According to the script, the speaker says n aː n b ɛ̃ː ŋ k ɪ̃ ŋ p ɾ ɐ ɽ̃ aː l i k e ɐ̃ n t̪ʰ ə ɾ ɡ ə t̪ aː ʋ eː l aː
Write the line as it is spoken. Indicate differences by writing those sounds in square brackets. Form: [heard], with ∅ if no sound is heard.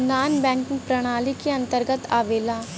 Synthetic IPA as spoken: n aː n b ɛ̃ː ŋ k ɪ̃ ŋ p ɾ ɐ ɽ̃ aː l i k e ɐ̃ n [t̪] ə ɾ ɡ ə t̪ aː ʋ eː l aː